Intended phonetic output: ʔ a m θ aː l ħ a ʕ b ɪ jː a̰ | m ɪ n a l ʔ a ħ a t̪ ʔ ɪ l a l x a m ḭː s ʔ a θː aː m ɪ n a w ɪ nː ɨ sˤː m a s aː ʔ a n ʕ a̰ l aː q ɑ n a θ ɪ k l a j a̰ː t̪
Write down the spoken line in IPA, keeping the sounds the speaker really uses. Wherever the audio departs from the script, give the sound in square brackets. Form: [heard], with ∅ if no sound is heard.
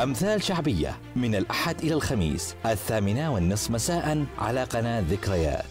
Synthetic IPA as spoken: ʔ a m θ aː l [ʃ] a ʕ b ɪ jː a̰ | m ɪ n a l ʔ a ħ a [d̪] ʔ ɪ l a l x a m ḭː s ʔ a θː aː m ɪ n a w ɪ nː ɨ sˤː m a s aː ʔ a n ʕ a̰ l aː q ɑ n a [ð] ɪ k [ɾ] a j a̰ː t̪